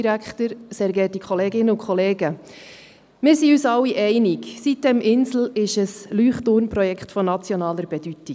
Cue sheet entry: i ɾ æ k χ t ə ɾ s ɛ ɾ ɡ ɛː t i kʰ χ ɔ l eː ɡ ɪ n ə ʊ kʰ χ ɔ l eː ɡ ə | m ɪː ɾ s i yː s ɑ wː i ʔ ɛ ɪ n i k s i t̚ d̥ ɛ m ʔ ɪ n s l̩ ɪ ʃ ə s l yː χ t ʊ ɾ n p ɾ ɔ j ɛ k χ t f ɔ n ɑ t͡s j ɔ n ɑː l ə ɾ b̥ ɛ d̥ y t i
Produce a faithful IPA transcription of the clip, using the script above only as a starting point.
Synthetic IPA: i ɾ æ k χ t ə ɾ s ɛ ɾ ɡ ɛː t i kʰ χ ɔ l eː ɡ ɪ n ə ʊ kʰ χ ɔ l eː ɡ ə | m ɪː ɾ s i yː s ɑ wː i ʔ ɛ ɪ n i k s i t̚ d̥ ɛ m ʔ ɪ n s l̩ ɪ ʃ ə s l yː χ t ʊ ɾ n p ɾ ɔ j ɛ k χ t f ɔ n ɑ t͡s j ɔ n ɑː l ə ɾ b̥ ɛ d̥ y t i